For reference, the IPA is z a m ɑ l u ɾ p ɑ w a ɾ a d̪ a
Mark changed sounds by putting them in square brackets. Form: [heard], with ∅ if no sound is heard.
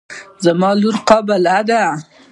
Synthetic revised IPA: z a m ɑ l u ɾ [q] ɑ [b] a [l] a d̪ a